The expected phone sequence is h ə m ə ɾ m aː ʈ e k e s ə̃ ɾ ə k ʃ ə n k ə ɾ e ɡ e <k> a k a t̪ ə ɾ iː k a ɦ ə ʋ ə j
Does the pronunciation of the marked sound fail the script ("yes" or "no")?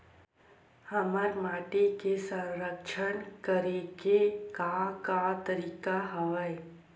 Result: no